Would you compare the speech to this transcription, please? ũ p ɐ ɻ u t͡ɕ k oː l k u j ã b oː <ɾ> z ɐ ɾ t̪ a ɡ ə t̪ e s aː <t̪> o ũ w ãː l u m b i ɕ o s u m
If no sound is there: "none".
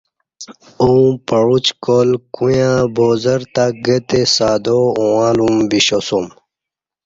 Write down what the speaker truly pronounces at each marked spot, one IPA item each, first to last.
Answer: none, d̪

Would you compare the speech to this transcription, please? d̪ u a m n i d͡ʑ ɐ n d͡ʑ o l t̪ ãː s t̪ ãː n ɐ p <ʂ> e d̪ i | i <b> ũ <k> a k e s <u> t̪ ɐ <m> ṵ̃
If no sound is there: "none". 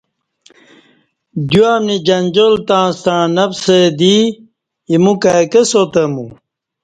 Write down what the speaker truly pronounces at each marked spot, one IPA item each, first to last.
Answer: s, m, k, o, m

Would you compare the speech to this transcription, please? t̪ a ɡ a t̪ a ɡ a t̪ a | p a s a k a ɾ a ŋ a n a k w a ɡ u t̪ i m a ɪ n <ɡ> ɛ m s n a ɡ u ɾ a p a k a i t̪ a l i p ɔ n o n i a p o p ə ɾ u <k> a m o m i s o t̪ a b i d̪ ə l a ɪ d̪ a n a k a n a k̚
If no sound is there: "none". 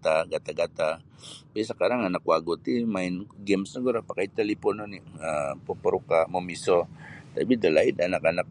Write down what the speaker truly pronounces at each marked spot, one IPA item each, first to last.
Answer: ɡ, k

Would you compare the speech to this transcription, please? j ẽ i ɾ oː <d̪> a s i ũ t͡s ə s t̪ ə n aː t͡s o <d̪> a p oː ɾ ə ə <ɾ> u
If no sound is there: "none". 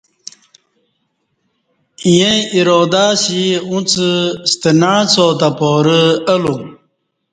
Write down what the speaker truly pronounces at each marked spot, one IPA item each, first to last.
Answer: d̪, t̪, l

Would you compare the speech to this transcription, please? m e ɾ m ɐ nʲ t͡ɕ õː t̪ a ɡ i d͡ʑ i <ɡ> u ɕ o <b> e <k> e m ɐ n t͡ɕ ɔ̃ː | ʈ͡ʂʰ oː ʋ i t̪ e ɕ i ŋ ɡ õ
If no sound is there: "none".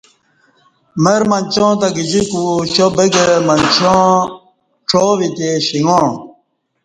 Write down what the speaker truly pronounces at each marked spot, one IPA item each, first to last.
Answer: k, b, ɡ

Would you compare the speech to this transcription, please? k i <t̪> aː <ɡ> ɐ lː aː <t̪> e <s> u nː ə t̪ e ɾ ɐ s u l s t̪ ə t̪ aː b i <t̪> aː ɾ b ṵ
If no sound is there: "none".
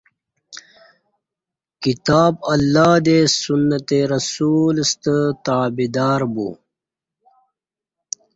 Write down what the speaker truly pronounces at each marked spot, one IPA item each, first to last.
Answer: t̪, b, d̪, s, d̪

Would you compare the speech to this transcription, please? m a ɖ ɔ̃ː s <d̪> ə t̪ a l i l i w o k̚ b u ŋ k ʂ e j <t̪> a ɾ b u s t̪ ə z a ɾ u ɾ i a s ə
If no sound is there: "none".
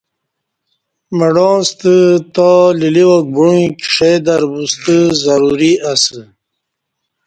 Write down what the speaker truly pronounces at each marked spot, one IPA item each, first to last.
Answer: t̪, d̪

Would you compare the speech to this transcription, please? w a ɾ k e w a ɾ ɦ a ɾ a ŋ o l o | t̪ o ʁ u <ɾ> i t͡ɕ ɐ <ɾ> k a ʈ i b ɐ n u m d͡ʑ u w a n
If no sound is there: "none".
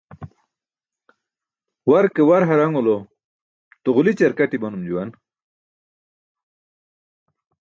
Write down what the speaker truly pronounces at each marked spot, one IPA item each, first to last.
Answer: l, ɾ

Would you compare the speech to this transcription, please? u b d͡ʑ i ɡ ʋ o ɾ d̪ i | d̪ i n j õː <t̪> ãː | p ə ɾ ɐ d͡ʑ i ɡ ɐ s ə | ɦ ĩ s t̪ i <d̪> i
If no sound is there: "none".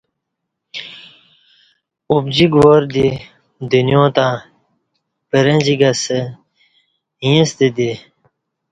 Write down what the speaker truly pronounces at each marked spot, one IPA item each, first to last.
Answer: t̪, d̪

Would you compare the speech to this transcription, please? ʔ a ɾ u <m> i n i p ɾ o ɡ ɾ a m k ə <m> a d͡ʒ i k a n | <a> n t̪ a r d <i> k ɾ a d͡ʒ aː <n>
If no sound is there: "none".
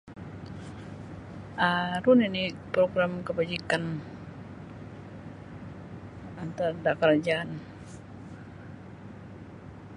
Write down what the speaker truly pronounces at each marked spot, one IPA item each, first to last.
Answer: n, b, a, a, n

